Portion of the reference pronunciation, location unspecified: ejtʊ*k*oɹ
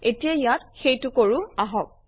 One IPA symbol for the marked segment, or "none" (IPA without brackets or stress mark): k